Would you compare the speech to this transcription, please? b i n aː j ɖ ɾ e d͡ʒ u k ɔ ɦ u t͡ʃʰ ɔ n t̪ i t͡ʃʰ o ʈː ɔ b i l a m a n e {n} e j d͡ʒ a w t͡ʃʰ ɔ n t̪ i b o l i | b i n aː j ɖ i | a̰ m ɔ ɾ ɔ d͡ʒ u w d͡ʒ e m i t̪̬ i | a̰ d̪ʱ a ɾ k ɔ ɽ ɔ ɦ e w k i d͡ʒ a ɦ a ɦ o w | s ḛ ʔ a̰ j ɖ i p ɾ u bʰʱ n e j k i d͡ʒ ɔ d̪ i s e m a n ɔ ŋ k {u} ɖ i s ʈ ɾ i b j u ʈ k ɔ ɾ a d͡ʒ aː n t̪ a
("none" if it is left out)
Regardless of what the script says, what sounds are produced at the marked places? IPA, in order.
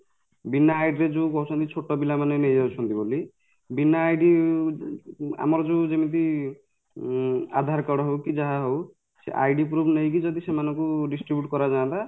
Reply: n, u

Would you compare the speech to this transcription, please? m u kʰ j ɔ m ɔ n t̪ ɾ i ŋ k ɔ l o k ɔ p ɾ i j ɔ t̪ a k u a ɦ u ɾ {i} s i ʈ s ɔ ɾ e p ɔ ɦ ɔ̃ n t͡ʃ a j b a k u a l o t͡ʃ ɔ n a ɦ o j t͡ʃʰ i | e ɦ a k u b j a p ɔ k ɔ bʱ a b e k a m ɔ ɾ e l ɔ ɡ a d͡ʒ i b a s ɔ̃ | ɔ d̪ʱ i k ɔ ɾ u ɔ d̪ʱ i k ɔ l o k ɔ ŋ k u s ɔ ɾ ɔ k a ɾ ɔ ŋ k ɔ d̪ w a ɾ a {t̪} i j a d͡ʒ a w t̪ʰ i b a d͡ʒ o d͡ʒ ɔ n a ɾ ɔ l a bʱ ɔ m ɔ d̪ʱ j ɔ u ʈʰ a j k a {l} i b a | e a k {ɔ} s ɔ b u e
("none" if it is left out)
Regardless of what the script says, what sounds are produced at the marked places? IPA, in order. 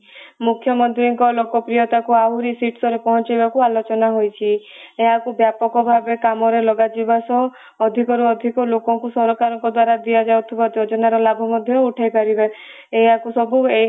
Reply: i, d̪, ɾ, u

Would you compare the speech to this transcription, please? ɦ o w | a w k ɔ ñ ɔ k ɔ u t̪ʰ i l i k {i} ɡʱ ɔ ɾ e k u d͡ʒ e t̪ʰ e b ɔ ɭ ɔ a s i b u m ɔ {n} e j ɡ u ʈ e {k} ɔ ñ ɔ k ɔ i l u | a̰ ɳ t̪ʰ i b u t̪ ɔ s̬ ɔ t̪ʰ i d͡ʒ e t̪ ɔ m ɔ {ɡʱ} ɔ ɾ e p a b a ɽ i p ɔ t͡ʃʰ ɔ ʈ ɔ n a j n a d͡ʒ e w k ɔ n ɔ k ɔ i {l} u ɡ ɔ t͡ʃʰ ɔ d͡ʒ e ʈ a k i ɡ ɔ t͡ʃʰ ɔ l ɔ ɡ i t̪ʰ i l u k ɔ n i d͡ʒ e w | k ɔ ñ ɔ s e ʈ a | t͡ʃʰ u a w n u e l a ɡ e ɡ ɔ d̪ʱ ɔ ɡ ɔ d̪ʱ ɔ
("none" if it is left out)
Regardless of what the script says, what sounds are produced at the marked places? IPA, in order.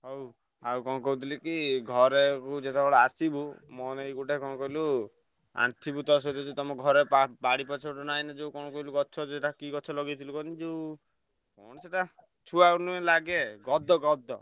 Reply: i, n, k, ɡʱ, l

